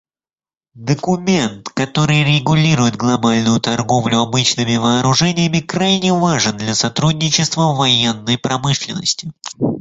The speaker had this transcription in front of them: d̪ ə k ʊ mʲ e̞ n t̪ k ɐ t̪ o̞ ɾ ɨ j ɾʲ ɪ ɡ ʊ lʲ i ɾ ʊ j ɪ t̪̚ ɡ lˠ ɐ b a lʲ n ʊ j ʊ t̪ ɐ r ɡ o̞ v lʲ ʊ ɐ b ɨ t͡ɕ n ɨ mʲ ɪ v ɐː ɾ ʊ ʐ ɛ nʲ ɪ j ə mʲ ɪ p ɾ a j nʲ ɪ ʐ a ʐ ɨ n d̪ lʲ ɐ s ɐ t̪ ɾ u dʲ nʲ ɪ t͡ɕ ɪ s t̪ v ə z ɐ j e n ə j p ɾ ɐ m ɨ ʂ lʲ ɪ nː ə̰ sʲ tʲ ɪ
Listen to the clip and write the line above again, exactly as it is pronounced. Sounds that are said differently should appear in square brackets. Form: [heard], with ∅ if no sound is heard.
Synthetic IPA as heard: d̪ ə k ʊ mʲ e̞ n t̪ k ɐ t̪ o̞ ɾ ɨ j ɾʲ ɪ ɡ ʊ lʲ i ɾ ʊ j ɪ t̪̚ ɡ lˠ ɐ b a lʲ n ʊ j ʊ t̪ ɐ r ɡ o̞ v lʲ ʊ ɐ b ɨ t͡ɕ n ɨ mʲ ɪ v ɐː ɾ ʊ ʐ ɛ nʲ ɪ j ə mʲ ɪ [k] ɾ a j nʲ ɪ [v] a ʐ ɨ n d̪ lʲ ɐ s ɐ t̪ ɾ u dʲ nʲ ɪ t͡ɕ ɪ s t̪ v ə [v] ɐ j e [nː] ə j p ɾ ɐ m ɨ ʂ lʲ ɪ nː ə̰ sʲ tʲ ɪ